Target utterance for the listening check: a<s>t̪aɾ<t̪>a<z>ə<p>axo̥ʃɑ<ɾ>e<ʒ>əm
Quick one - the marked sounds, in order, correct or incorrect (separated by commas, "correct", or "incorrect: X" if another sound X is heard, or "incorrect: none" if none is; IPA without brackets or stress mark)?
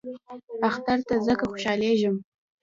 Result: incorrect: x, correct, correct, incorrect: k, incorrect: l, correct